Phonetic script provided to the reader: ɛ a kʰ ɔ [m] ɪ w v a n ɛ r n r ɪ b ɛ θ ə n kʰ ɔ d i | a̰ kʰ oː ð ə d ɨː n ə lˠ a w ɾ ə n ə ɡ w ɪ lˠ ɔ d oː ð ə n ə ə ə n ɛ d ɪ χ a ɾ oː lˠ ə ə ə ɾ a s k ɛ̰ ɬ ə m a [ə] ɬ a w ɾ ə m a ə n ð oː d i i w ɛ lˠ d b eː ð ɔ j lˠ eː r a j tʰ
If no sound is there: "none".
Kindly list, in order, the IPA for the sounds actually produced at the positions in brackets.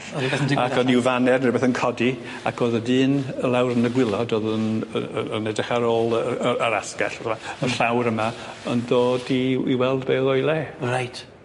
n, ə

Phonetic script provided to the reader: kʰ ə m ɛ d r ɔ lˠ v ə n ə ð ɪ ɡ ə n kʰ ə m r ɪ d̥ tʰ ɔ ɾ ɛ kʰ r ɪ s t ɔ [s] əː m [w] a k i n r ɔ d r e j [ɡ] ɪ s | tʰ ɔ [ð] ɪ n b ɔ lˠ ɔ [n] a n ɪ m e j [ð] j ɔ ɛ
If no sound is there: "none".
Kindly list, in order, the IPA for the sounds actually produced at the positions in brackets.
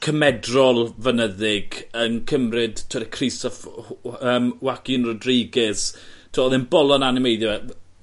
f, w, ɡ, ð, n, ð

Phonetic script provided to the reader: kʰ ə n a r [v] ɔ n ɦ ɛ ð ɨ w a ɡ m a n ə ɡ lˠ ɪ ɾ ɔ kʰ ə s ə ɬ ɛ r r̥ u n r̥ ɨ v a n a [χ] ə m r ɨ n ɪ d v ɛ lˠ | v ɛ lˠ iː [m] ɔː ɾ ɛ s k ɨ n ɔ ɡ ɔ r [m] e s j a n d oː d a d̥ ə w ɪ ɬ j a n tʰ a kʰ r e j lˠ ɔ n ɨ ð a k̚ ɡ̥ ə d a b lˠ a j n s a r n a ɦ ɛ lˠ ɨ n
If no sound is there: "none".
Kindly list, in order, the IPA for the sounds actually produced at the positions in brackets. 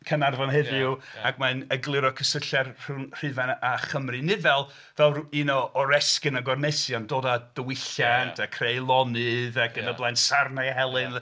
v, χ, n, n

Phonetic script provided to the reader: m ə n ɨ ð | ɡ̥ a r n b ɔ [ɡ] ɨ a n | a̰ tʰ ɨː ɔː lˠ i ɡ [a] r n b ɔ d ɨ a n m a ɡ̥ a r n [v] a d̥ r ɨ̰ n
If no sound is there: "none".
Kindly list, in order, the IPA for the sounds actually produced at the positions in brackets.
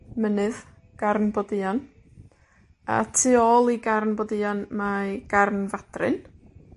d, a, v

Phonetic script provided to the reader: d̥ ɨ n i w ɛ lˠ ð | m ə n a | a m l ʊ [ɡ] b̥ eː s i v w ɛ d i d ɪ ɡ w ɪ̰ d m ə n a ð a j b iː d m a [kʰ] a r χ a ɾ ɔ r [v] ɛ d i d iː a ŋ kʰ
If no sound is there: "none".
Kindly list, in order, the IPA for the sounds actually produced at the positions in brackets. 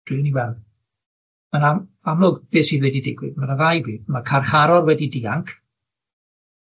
ɡ, kʰ, w

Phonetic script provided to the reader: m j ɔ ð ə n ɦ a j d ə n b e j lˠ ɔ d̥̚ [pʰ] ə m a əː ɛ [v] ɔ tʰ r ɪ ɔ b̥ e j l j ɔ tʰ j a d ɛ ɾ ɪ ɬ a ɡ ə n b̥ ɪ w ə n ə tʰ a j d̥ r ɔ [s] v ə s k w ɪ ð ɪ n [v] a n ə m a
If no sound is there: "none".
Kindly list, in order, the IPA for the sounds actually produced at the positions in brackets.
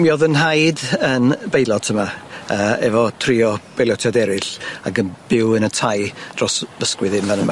tʰ, v, s, v

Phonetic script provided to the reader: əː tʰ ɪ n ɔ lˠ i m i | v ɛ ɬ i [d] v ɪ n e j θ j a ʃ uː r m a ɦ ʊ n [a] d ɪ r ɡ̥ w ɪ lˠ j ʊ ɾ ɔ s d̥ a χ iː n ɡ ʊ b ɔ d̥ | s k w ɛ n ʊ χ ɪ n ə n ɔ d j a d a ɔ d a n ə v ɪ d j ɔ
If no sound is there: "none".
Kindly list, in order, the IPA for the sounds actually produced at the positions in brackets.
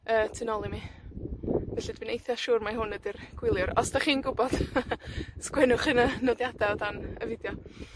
d, ə

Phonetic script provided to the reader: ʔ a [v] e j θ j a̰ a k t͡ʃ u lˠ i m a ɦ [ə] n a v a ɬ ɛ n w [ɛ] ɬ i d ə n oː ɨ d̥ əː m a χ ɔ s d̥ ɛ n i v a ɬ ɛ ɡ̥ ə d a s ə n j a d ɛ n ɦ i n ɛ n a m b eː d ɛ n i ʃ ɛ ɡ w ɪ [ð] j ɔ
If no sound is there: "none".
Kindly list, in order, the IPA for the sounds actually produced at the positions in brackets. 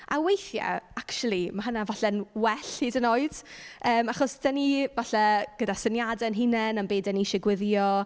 w, ə, ɛ, ð

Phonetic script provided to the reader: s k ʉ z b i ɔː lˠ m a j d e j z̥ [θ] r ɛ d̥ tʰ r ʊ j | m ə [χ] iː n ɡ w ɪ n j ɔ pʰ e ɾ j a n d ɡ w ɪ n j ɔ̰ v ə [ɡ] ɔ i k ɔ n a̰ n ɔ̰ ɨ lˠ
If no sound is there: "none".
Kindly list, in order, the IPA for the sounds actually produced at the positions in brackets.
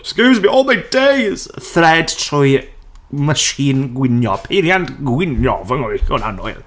θ, ʃ, ŋ

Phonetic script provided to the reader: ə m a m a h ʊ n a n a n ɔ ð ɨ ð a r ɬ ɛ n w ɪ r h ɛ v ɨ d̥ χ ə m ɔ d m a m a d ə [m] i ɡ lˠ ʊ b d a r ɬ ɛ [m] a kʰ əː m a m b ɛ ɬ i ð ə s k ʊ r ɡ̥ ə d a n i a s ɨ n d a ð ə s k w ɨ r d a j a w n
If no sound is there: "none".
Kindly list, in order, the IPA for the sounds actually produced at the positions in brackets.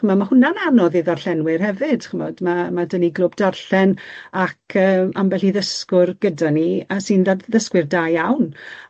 n, n

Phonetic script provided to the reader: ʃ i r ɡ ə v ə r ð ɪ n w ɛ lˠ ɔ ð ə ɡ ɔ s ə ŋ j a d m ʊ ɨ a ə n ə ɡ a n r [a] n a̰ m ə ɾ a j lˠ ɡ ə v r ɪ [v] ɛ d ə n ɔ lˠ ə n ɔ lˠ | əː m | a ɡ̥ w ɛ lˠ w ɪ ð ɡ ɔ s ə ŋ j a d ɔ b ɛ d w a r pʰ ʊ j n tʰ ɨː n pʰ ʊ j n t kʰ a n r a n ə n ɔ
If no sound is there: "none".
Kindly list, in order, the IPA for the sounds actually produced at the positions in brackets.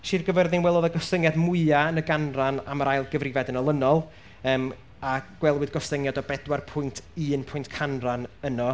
a, v

